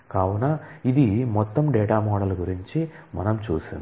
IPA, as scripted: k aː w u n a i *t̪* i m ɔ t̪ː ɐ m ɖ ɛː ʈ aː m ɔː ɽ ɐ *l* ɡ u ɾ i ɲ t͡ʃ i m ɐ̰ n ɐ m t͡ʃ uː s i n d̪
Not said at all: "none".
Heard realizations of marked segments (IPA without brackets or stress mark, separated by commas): d̪, l